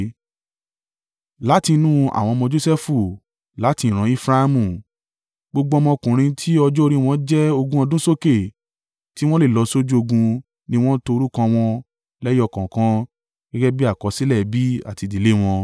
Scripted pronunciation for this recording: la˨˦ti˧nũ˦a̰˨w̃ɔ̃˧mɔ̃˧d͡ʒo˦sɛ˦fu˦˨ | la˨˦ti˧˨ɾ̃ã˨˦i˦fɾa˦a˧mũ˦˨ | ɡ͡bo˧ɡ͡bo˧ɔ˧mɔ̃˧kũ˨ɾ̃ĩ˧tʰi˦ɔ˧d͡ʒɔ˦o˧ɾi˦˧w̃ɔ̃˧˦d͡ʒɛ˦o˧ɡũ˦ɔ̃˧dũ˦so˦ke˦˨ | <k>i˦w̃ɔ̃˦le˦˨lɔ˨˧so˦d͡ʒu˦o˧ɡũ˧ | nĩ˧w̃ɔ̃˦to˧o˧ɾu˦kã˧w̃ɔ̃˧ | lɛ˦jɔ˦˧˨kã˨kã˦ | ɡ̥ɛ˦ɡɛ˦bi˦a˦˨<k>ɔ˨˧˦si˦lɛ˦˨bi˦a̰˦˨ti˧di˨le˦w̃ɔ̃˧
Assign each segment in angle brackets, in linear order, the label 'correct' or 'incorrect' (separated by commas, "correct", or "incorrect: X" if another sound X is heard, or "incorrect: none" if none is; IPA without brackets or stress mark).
incorrect: t, correct